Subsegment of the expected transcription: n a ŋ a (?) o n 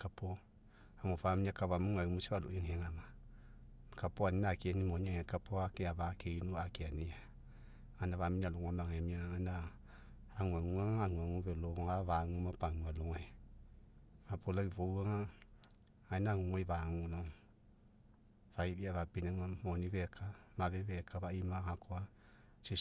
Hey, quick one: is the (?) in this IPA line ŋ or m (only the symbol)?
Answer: m